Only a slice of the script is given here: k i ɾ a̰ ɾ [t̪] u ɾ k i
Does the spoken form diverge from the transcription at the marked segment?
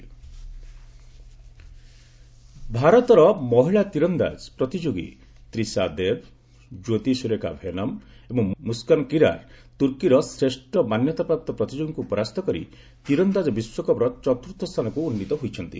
no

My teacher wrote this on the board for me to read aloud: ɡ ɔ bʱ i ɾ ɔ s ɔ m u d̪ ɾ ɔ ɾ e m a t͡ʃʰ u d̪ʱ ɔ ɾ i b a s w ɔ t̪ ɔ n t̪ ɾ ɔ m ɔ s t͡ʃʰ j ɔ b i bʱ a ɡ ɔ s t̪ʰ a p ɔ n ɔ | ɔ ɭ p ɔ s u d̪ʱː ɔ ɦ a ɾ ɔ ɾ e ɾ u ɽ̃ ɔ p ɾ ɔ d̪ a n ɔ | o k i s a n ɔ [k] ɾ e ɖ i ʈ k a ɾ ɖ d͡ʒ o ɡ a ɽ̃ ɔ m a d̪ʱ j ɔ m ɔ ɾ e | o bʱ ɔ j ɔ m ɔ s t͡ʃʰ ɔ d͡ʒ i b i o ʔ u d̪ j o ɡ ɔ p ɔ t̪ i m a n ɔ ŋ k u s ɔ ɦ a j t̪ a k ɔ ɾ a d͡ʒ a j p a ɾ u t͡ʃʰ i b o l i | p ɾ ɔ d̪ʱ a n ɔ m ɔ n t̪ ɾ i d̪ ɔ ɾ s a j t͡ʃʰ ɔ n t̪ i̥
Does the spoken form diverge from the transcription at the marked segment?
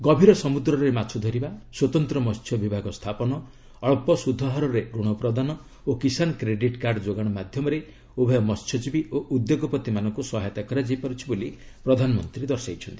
no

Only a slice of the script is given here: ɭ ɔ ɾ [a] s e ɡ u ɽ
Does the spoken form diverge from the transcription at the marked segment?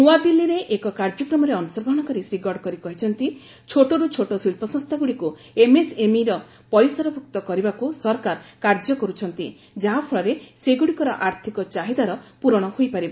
yes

